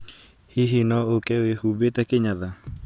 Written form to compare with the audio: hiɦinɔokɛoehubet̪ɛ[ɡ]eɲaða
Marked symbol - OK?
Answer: no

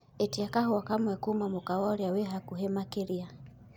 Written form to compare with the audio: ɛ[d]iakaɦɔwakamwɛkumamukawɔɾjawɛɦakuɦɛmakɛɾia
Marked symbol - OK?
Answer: no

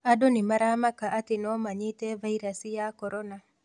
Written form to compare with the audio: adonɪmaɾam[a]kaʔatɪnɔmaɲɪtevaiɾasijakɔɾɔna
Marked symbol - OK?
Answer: yes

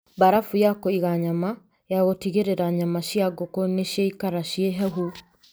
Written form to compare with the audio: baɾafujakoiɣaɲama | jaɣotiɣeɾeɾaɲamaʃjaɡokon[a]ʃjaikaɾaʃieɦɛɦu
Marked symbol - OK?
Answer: no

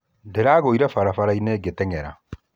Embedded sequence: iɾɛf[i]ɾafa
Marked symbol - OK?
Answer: no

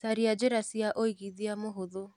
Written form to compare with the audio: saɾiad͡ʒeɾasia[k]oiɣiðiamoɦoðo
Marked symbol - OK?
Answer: no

